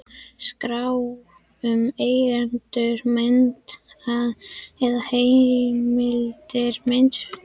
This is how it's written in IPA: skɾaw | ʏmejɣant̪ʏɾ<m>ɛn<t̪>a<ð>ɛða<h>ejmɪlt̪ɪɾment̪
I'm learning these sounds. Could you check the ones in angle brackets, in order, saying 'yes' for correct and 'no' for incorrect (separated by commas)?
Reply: yes, yes, yes, yes